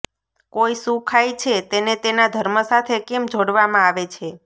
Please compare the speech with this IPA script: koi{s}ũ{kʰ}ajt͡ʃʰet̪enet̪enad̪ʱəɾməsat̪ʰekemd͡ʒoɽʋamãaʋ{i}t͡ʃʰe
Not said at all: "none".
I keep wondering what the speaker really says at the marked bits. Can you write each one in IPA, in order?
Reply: s, kʰ, e

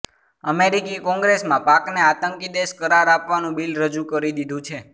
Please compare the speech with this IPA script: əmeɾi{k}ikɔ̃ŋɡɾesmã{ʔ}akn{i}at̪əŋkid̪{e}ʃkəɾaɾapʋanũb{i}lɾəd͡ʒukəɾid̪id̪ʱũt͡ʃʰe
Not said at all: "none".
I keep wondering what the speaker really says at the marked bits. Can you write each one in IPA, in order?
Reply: k, p, e, e, i

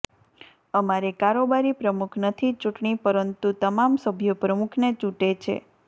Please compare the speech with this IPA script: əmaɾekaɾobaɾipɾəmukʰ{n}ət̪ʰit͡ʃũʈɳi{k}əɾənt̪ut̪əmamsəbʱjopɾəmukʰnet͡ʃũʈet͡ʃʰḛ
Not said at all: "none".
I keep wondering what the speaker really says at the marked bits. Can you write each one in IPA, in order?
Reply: n, p

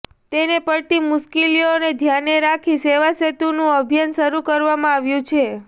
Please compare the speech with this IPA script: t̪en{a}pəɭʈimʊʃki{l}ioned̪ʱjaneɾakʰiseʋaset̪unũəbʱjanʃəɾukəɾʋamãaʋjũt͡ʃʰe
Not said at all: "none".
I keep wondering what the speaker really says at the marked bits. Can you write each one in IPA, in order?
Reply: e, l

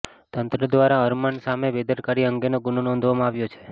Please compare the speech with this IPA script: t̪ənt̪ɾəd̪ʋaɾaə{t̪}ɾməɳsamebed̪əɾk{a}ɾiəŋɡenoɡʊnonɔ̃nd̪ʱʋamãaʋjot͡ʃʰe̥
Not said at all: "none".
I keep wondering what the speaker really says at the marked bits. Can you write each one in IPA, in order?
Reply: none, a

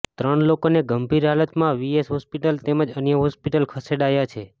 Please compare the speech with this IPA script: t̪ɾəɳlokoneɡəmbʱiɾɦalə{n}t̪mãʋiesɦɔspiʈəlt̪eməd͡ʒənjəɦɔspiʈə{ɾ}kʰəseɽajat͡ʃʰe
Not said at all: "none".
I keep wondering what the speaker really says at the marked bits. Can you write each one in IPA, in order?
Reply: none, l

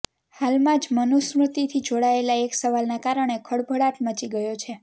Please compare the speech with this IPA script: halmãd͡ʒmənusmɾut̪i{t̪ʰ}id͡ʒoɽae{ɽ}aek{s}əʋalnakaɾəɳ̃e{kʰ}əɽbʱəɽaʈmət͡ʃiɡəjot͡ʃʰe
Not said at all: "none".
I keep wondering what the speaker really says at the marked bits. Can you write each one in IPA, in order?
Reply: t̪ʰ, l, s, kʰ

